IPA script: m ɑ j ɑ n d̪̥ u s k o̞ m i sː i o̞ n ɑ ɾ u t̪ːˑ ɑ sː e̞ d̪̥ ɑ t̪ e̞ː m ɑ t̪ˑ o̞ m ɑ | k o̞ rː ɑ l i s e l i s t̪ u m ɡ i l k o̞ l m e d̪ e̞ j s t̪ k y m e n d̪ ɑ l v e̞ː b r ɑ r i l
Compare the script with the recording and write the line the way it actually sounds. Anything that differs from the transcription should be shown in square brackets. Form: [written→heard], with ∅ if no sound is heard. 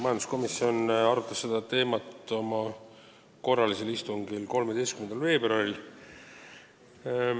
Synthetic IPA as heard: m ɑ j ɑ n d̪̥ u s k o̞ m i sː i o̞ n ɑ ɾ u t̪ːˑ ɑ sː e̞ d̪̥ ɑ t̪ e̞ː m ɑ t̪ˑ o̞ m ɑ | k o̞ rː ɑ l i s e l i s t̪ u [m→ŋ] ɡ i l k o̞ l m e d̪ e̞ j s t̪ k y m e n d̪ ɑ l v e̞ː b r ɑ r i l